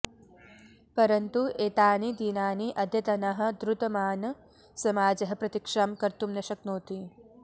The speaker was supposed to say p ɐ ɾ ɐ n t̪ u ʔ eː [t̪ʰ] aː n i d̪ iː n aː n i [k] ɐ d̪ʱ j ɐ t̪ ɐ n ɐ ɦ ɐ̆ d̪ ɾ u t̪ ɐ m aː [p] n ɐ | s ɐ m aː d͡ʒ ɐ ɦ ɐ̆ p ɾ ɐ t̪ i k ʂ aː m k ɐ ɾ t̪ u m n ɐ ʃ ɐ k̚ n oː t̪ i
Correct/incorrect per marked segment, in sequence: incorrect: t̪, incorrect: ʔ, incorrect: none

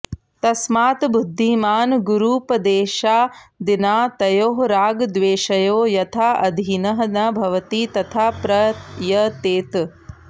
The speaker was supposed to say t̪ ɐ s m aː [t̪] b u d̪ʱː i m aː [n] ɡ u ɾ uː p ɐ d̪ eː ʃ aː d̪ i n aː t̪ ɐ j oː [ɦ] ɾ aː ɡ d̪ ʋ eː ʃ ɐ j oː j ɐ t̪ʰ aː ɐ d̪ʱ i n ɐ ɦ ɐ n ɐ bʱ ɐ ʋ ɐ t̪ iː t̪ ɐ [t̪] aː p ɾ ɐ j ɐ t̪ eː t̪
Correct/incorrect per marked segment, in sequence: correct, correct, correct, incorrect: t̪ʰ

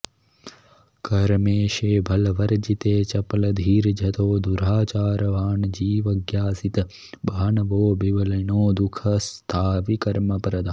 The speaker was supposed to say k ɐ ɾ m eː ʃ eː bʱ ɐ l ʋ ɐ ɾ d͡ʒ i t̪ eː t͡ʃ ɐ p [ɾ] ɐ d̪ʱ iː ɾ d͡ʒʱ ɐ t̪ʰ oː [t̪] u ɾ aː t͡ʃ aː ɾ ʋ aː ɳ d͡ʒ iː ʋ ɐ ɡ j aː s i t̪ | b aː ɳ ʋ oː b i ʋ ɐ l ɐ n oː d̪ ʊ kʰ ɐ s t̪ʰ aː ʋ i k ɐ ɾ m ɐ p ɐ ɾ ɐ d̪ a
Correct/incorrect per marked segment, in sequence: incorrect: l, incorrect: d̪

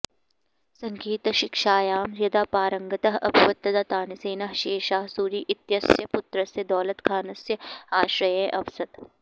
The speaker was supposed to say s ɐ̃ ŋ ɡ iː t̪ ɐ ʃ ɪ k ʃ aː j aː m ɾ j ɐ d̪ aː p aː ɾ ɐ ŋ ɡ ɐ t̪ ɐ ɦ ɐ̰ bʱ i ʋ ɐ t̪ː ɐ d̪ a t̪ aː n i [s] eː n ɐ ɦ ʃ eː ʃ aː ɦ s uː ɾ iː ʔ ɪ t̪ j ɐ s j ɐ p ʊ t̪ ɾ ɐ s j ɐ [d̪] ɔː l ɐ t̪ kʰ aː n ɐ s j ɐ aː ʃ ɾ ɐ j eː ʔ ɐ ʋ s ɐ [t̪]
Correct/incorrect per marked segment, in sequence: correct, correct, correct

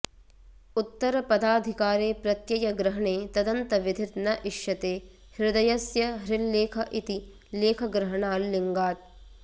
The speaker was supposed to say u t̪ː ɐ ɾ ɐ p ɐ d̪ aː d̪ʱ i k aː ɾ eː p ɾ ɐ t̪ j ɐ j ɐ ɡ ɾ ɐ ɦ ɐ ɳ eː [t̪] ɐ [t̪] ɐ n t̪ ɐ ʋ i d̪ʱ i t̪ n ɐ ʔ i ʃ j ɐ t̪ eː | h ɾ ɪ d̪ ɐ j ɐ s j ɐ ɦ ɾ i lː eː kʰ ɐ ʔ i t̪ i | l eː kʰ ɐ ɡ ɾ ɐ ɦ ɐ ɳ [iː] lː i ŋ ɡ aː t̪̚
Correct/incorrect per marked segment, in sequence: correct, incorrect: d̪, incorrect: aː

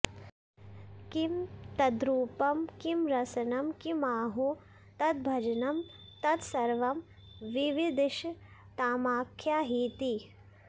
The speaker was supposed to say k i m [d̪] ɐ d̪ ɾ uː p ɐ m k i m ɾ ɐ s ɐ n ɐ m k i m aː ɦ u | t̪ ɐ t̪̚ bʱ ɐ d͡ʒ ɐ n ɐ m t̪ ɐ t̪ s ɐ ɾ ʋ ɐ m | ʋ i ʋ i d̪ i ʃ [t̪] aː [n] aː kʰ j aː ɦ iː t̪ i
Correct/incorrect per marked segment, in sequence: incorrect: t̪, correct, incorrect: m

